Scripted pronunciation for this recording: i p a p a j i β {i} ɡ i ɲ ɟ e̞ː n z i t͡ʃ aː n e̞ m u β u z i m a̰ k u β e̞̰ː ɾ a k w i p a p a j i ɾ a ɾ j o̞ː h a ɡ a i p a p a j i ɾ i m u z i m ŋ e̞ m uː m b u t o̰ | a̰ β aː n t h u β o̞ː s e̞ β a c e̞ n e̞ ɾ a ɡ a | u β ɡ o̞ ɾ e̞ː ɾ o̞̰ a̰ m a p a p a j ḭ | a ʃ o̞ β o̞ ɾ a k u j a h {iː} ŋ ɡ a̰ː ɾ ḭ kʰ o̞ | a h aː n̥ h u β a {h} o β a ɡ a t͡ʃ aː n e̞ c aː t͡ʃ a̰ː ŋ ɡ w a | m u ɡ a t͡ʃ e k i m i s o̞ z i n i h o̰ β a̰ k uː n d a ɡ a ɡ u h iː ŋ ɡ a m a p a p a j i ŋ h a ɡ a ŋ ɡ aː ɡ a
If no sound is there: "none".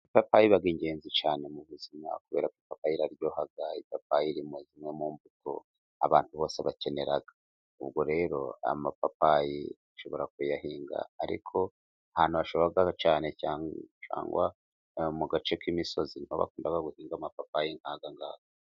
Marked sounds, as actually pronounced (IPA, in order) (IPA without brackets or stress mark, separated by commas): a, iː, ʃ